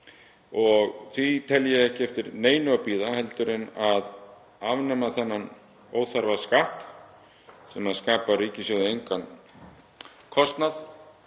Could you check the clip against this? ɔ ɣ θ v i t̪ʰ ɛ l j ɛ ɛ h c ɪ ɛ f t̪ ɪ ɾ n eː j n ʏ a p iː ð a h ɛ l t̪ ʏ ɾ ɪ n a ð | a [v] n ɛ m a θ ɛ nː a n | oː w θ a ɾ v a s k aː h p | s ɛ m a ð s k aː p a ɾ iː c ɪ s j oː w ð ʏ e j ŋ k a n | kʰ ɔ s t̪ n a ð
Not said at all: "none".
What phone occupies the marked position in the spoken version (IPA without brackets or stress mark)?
v